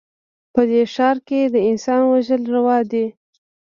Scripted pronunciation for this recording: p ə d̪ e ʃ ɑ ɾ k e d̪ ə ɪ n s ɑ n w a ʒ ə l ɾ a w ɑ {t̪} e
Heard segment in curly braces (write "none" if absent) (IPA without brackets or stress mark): d̪